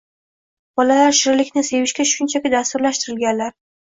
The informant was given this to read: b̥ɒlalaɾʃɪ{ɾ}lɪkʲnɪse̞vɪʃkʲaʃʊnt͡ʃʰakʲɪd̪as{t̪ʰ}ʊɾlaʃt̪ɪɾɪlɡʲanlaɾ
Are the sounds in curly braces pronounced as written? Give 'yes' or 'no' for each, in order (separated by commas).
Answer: yes, no